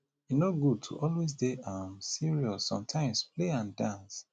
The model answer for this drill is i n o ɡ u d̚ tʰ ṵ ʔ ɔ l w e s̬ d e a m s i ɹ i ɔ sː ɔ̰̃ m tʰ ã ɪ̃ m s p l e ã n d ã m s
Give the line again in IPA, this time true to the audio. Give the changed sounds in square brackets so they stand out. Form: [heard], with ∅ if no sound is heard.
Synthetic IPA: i n o ɡ u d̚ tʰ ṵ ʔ ɔ l w e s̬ d e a m s i ɹ i ɔ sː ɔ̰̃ m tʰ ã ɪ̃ m s p l e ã n d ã [n] s